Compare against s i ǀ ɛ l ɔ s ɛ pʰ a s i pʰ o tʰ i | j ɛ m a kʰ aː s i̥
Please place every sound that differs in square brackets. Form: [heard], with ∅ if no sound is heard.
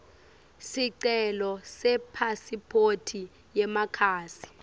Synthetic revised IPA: s i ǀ ɛ l ɔ s ɛ pʰ a s i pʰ o tʰ i | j ɛ m a kʰ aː s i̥